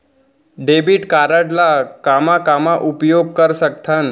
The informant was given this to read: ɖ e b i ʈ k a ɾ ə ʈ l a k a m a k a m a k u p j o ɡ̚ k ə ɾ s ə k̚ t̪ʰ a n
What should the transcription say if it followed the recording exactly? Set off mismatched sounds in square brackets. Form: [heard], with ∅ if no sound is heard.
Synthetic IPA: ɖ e b i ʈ k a ɾ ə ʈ l a k a m a k a m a [ʔ] u p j o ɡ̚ k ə ɾ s ə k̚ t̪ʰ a n